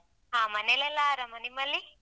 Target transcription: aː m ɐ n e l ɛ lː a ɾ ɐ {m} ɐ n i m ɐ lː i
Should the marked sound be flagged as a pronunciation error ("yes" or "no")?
no